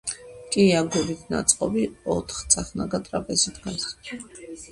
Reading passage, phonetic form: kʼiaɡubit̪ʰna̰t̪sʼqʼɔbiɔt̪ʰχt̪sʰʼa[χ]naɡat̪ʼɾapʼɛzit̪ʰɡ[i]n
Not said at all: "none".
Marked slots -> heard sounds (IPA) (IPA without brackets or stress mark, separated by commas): χ, a